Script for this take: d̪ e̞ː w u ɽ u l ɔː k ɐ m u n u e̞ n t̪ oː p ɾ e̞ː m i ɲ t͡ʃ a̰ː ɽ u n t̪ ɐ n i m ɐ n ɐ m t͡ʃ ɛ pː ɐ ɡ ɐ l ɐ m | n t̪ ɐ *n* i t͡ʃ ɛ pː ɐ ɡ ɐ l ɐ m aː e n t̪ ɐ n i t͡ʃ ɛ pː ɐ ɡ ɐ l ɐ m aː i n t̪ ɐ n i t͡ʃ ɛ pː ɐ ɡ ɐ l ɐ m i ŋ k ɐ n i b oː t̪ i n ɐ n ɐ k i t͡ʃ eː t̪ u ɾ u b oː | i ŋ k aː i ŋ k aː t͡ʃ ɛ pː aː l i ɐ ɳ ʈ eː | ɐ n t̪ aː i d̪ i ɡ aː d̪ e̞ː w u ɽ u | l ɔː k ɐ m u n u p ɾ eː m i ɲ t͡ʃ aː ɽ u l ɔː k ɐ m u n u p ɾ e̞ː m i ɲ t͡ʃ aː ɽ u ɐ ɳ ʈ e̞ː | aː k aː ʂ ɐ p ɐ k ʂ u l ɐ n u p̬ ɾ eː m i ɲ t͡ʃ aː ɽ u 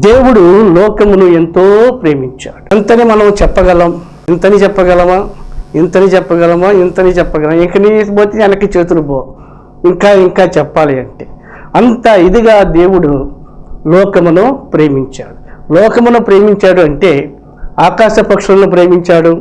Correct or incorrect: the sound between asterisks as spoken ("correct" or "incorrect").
correct